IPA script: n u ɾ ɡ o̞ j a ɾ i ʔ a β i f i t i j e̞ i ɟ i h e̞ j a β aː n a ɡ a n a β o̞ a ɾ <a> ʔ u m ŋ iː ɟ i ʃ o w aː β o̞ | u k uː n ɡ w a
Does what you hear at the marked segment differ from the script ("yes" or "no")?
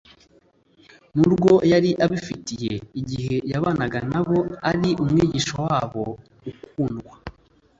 yes